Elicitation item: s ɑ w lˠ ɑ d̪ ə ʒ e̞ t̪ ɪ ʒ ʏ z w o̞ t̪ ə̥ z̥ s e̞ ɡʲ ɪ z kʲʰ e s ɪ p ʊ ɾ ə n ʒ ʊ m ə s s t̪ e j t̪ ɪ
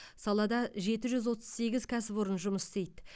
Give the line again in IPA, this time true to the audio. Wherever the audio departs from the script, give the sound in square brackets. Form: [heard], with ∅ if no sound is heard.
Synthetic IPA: s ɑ [∅] lˠ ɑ d̪ [ɑ] ʒ e̞ t̪ ɪ ʒ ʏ z w o̞ t̪ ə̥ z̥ s e̞ ɡʲ ɪ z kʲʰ [æ] s ɪ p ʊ ɾ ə n ʒ ʊ m ə s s t̪ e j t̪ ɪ